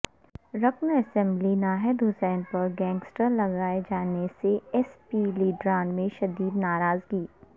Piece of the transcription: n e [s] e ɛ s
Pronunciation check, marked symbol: correct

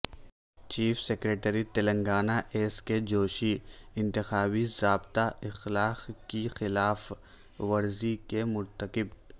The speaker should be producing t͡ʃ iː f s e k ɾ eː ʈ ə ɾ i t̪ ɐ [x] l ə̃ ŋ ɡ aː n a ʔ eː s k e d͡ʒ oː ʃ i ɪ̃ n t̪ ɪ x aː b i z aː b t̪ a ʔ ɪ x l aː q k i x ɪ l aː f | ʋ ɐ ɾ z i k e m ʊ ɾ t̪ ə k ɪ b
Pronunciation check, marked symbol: incorrect: none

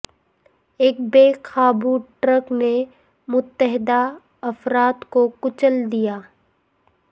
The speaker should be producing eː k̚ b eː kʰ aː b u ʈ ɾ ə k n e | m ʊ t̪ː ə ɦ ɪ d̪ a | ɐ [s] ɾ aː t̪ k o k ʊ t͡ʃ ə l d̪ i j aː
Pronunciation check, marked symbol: incorrect: f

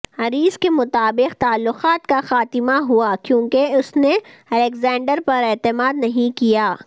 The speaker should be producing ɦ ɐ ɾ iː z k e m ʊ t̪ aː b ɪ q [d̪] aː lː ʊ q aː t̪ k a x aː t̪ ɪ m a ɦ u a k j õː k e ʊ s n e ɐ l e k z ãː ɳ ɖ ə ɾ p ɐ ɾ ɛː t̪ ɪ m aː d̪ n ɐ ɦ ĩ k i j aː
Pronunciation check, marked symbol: incorrect: t̪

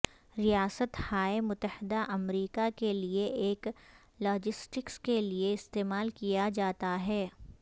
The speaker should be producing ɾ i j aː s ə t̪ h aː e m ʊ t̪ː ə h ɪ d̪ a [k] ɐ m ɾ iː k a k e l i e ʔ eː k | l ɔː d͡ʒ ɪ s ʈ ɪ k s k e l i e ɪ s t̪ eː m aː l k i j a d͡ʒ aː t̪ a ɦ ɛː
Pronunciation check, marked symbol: incorrect: ʔ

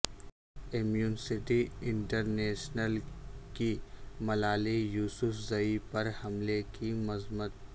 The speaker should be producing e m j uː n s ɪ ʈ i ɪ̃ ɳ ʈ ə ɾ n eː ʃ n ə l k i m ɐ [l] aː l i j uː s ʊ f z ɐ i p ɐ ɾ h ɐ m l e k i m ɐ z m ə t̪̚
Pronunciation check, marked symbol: correct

